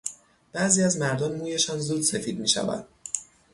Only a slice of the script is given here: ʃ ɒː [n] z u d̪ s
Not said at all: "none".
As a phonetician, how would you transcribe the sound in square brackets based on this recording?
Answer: n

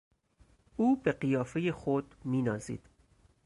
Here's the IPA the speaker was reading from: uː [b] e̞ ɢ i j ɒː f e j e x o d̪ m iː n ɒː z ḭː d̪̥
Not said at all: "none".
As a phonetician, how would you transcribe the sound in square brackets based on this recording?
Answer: b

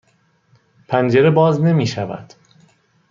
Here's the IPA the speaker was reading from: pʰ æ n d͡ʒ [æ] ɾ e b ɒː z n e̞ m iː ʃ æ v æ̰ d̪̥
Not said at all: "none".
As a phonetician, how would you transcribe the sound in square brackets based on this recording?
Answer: e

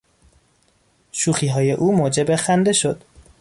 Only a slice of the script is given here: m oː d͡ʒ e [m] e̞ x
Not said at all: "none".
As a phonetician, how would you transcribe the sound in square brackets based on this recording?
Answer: b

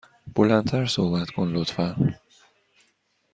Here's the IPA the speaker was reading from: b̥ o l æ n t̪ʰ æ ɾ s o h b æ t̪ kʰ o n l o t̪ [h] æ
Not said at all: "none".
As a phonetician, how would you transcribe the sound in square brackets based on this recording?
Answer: f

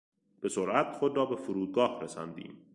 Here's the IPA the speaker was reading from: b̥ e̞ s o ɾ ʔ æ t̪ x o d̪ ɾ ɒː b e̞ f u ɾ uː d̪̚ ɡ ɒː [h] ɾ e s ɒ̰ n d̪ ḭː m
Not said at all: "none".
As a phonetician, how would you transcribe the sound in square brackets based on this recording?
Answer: h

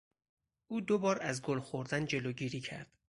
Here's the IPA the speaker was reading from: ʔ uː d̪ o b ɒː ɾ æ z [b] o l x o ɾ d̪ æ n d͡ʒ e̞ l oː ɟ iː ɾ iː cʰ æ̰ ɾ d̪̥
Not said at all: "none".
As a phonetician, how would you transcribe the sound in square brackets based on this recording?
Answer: ɡ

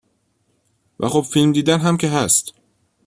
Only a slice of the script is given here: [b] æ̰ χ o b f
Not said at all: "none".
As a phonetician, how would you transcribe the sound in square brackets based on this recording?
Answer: v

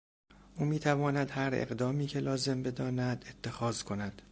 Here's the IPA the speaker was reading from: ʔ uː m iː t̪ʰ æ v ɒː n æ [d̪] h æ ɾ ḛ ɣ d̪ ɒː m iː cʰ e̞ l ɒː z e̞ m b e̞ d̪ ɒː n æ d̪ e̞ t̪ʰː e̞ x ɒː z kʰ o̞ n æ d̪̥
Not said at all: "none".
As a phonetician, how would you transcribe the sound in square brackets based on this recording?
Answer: d̪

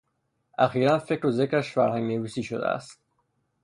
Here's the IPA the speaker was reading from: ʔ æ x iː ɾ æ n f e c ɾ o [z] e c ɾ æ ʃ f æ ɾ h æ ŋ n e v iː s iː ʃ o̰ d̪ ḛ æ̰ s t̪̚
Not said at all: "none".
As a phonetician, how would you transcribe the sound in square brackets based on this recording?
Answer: z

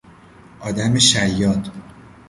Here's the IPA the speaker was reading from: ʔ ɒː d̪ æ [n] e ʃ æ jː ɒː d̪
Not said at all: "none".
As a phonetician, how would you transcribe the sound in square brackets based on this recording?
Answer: m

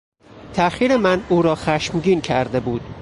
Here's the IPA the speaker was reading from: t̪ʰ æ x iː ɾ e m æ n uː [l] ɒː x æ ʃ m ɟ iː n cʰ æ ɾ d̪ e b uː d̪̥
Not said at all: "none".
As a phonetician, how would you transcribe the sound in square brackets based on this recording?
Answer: ɾ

